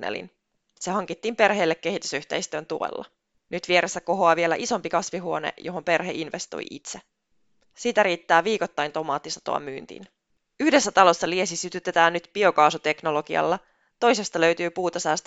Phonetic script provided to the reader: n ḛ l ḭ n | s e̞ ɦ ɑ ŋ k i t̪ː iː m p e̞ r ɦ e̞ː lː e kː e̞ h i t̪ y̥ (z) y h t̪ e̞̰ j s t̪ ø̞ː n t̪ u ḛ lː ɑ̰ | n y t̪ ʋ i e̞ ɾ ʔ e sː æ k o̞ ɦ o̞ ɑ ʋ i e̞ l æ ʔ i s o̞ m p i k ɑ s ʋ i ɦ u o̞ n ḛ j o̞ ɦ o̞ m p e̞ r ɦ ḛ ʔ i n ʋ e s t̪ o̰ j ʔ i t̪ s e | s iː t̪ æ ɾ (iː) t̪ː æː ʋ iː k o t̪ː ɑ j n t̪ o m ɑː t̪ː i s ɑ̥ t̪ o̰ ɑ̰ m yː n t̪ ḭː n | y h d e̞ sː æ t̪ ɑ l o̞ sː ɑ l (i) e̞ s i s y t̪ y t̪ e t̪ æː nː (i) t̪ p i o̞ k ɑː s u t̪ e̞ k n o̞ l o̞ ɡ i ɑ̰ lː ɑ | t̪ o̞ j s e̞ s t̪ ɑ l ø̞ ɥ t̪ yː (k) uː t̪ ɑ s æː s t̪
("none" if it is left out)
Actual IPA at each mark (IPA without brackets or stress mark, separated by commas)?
s, iː, i, y, p